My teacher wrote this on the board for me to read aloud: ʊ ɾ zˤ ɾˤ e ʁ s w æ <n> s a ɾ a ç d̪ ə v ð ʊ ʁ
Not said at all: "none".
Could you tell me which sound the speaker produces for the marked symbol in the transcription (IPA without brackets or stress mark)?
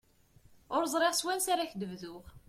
n